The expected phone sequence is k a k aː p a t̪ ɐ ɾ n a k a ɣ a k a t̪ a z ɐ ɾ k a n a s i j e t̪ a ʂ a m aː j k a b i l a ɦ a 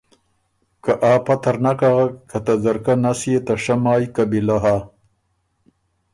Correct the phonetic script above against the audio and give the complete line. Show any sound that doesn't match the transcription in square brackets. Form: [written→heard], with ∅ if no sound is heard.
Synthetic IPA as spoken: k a [k→ʔ] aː p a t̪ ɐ ɾ n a k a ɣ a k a t̪ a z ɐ ɾ k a n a s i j e t̪ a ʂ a m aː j k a b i l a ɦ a